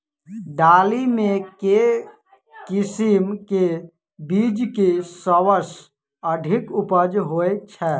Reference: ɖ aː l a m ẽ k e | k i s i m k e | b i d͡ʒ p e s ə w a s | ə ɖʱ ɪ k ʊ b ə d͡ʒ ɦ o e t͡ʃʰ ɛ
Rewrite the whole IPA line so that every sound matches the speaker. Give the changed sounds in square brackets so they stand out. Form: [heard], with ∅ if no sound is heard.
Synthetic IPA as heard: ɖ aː l [i] m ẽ k e | k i s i m k e | b i d͡ʒ [k] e s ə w [ə] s | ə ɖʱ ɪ k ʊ [p] ə d͡ʒ ɦ o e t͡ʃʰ ɛ